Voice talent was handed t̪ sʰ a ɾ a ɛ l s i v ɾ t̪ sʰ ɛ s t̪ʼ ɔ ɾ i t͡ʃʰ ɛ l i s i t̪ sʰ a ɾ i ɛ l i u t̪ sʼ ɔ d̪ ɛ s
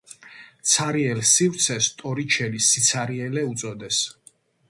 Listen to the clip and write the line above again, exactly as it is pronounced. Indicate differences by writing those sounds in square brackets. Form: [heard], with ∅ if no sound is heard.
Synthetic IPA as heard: t̪ sʰ a ɾ [i] ɛ l s i v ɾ t̪ sʰ ɛ s t̪ʼ ɔ ɾ i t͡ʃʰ ɛ l i s i t̪ sʰ a ɾ i ɛ l [ɛ] u t̪ sʼ ɔ d̪ ɛ s